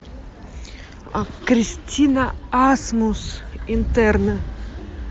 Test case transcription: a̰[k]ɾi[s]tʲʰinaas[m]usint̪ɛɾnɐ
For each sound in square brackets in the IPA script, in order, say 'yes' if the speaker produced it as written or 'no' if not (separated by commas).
yes, yes, yes